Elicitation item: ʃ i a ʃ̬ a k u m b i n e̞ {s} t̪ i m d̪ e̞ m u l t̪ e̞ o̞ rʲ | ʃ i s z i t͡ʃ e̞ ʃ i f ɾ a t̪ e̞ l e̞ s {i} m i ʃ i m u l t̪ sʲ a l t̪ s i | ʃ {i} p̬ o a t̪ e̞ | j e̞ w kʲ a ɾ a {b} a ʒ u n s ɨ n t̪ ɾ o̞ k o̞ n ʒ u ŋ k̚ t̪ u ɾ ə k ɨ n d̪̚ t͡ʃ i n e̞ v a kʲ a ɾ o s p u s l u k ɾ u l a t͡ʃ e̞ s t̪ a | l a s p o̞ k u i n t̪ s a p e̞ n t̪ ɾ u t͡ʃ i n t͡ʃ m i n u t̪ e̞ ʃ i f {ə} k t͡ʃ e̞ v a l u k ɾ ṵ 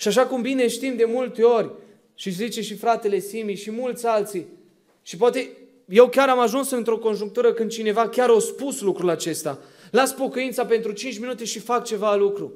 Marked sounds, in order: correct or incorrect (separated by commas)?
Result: incorrect, correct, correct, incorrect, incorrect